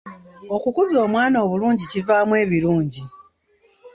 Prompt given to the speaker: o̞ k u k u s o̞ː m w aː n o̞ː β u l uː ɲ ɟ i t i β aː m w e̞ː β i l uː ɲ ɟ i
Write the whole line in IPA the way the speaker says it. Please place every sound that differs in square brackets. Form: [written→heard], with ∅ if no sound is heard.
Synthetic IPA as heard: o̞ k u k u [s→z] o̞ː m w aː n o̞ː β u l uː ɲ ɟ i [t→c] i [β→v] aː m w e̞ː β i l uː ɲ ɟ i